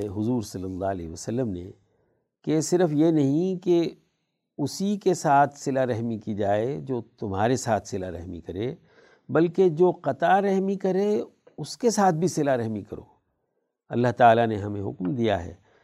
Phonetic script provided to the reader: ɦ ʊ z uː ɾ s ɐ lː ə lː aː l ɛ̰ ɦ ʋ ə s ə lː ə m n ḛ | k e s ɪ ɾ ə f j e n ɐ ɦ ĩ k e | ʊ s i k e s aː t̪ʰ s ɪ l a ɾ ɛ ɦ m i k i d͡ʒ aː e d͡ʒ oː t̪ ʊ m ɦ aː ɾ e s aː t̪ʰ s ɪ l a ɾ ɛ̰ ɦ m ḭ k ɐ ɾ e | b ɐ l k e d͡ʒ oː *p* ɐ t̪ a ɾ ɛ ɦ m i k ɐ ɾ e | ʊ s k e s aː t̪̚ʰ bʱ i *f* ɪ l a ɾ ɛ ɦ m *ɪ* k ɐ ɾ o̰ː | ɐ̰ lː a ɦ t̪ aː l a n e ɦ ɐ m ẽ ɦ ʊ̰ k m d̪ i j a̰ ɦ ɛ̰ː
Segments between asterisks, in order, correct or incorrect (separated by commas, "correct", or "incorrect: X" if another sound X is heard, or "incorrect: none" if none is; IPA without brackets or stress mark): incorrect: q, incorrect: s, incorrect: i